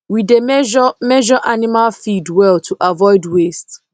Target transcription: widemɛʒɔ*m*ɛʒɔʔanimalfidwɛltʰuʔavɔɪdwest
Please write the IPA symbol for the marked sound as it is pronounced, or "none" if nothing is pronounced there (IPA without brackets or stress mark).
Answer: m